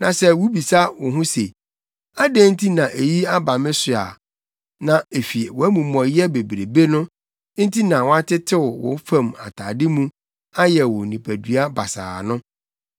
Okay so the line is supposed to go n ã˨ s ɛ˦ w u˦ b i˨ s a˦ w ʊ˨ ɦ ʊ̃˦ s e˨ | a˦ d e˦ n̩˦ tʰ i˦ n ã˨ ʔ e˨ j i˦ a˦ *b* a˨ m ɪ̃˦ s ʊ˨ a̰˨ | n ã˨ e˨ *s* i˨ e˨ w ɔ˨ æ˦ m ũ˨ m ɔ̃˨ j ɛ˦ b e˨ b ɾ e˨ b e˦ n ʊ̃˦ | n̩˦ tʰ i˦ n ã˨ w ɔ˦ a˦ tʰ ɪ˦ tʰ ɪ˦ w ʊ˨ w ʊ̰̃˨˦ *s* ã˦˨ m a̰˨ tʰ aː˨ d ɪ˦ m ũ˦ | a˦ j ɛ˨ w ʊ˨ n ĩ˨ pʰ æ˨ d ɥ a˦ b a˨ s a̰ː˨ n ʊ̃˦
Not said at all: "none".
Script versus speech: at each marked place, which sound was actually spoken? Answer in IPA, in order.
b, f, f

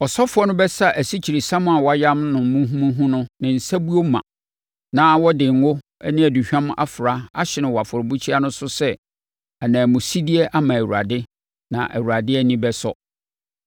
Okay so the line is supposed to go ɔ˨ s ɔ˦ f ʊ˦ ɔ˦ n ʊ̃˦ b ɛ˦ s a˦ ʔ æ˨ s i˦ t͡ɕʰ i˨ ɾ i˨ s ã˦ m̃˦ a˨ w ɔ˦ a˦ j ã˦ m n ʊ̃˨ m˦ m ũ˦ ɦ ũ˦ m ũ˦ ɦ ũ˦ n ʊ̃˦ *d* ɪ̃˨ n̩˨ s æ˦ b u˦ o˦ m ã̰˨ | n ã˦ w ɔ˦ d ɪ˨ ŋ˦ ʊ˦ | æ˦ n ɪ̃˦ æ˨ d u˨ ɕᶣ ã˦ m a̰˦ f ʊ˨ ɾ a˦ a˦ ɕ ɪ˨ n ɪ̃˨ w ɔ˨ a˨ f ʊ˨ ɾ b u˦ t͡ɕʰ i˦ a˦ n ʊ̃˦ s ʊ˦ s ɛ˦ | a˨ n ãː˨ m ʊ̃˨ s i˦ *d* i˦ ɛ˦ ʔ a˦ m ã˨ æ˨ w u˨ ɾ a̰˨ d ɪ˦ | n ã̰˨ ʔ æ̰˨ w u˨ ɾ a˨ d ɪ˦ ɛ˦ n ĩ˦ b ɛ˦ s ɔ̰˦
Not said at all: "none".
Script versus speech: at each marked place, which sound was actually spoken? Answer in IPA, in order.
n, d

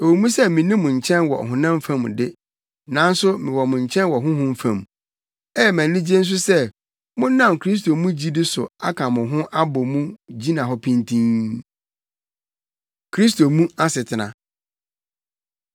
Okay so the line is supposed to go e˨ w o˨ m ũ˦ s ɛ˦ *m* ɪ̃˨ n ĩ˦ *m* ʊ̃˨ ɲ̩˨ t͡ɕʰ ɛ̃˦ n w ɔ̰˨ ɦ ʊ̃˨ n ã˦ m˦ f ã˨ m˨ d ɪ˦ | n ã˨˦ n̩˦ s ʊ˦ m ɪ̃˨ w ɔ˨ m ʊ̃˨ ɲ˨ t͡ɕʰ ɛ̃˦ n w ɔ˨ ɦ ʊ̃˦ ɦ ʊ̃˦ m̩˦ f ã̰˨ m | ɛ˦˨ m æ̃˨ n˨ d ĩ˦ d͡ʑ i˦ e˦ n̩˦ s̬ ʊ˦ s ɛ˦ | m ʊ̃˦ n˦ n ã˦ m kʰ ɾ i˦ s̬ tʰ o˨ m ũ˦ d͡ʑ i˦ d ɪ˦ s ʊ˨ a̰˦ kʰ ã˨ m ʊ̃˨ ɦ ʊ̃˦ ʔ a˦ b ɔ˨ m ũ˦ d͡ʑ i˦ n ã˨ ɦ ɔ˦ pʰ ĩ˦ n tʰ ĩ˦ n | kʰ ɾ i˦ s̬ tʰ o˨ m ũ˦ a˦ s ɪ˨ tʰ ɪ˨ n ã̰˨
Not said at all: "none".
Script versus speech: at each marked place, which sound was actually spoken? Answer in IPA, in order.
m, m

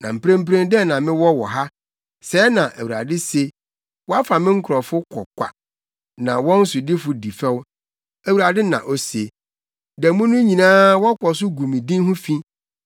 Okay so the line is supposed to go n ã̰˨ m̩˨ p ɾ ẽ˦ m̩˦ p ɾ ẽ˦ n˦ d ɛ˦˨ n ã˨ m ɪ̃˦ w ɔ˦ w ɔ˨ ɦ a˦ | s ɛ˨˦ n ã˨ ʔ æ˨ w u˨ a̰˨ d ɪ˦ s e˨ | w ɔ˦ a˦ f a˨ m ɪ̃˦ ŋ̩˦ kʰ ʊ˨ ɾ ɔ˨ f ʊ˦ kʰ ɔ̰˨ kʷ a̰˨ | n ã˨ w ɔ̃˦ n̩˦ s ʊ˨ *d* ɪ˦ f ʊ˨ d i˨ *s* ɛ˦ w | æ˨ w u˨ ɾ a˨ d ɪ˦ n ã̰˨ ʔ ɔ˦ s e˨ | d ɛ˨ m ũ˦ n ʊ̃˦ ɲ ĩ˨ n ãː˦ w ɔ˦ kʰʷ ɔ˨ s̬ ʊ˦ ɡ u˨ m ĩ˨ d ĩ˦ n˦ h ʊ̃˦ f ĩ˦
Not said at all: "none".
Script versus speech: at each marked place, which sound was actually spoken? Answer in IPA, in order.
d, f

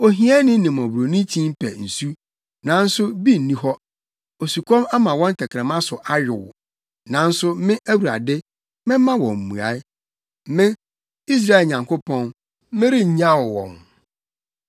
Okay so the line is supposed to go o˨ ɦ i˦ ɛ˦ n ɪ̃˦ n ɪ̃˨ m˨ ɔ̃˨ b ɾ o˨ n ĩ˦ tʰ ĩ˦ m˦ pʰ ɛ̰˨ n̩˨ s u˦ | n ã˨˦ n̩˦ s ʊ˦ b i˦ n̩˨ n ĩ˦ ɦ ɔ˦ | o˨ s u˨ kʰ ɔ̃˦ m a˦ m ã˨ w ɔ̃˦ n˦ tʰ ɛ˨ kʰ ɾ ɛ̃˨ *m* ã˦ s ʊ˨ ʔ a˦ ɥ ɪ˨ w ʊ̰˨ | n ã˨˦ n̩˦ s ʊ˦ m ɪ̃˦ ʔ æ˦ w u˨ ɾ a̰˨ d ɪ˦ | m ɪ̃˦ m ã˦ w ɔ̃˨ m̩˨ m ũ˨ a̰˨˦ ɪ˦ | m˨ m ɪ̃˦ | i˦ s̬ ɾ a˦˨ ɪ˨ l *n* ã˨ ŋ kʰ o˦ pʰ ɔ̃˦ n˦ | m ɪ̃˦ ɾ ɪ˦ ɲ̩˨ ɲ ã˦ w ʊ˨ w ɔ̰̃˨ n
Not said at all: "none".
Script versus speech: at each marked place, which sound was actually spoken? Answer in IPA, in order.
m, ɲ

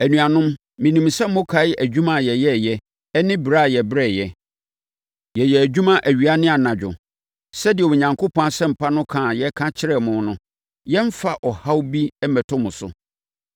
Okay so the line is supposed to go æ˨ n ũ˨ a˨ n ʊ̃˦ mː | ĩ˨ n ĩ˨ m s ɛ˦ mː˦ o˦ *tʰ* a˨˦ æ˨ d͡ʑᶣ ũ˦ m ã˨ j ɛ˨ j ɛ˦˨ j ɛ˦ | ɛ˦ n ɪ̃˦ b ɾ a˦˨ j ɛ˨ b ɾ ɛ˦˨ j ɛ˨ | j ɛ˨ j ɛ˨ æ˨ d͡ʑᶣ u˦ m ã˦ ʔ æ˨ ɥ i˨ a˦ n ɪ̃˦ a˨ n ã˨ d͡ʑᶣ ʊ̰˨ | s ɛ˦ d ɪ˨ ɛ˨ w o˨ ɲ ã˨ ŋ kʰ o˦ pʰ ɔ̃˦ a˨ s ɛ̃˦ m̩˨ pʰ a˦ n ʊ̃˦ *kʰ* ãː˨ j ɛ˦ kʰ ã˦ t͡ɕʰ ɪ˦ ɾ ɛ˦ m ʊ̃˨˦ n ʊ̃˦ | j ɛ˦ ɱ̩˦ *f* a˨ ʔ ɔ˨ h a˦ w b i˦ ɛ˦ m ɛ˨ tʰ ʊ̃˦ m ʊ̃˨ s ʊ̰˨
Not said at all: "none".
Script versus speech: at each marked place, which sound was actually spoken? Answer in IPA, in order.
kʰ, kʰ, f

